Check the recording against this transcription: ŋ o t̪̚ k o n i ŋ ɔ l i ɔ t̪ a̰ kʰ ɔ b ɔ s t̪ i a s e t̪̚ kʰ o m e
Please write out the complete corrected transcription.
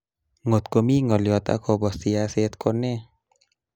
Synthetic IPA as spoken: ŋ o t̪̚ k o m i ŋ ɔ l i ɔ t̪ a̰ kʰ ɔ b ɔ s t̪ i a s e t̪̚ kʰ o n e